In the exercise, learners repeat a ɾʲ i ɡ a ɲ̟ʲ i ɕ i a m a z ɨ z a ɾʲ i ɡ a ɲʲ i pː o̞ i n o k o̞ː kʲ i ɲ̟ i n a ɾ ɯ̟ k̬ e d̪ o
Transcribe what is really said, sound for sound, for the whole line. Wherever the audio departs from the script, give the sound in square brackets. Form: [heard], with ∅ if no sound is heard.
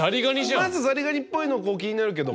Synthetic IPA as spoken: a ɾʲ i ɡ a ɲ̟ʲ i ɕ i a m a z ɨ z a ɾʲ i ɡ a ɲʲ i pː o̞ i n o k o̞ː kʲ i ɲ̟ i n a ɾ ɯ̟ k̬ e d̪ o